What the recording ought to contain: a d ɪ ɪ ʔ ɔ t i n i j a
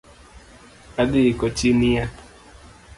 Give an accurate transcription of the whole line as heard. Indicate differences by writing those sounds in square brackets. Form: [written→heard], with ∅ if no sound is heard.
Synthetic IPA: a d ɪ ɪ [ʔ→k] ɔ [t→t͡ʃ] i n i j a